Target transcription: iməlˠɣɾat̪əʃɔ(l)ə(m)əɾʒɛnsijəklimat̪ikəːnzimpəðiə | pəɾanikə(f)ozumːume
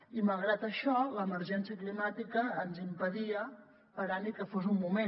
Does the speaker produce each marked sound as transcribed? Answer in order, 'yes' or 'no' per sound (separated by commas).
yes, yes, yes